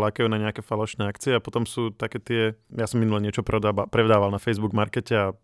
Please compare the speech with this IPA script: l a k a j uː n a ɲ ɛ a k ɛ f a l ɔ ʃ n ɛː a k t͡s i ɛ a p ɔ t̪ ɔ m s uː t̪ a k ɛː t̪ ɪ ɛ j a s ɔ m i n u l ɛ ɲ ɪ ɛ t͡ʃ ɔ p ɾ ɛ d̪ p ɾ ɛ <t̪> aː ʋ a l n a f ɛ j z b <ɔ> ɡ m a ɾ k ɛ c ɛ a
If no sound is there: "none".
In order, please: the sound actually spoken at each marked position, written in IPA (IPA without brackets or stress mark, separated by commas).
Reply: d̪, u